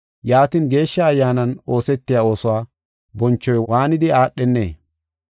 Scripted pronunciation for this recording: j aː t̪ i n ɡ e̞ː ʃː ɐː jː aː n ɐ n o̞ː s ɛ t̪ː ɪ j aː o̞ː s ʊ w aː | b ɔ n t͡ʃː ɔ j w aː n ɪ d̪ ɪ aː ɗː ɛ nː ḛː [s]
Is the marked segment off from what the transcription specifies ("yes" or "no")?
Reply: yes